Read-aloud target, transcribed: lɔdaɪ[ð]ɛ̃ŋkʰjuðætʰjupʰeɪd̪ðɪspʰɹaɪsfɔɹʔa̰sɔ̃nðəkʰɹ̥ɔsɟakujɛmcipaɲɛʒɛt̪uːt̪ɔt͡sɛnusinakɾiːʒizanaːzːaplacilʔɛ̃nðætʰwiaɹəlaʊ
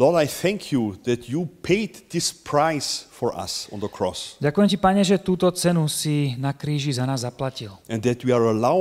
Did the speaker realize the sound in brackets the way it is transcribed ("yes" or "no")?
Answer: no